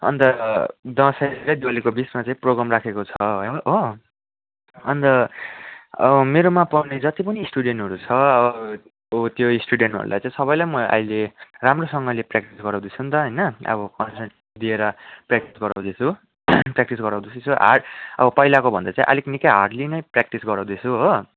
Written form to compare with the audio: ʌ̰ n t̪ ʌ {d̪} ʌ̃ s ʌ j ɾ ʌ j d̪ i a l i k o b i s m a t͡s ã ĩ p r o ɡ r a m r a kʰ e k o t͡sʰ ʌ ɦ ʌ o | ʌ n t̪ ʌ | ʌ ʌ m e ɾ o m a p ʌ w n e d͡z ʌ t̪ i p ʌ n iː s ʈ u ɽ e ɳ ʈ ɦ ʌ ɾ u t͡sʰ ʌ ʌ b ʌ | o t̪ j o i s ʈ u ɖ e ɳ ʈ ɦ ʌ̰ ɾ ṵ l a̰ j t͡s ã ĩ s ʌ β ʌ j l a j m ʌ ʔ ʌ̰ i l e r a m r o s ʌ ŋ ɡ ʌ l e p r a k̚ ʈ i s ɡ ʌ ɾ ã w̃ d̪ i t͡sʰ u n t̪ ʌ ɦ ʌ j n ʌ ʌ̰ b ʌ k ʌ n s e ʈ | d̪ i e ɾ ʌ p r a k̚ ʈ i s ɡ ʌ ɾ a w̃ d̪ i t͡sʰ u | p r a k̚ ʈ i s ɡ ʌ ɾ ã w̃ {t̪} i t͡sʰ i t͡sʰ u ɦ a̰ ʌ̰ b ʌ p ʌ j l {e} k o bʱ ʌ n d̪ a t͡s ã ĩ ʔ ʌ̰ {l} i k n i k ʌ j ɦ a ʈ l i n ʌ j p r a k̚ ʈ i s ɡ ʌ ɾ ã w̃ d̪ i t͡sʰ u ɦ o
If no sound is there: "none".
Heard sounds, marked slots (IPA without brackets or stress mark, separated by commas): d̪, d̪, a, l